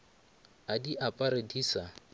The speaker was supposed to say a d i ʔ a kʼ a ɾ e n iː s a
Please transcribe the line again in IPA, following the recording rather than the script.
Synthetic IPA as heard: a d i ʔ a pʼ a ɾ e d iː s a